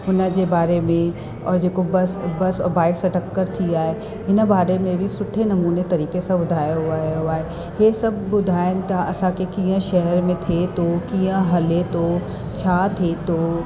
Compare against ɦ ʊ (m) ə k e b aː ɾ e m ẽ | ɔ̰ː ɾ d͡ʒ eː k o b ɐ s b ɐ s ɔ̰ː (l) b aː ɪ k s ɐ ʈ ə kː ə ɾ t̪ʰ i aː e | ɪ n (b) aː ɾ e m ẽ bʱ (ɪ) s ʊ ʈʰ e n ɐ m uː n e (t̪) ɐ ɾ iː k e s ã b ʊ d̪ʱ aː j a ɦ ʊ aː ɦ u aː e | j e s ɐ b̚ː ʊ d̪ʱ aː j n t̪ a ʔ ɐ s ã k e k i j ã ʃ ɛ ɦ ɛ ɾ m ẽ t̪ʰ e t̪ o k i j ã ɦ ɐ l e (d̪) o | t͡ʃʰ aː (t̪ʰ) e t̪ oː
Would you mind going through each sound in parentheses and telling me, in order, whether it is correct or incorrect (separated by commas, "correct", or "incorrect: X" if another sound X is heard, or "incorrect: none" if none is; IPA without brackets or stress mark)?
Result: incorrect: n, incorrect: ɾ, correct, incorrect: i, correct, incorrect: t̪, correct